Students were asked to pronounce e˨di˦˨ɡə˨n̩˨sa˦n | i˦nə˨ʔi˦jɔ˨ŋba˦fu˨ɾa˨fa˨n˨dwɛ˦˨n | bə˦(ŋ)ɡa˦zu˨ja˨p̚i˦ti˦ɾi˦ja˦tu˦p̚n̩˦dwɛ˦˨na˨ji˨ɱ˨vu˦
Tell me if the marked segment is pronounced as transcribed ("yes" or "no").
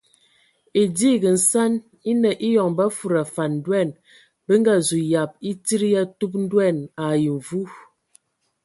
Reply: yes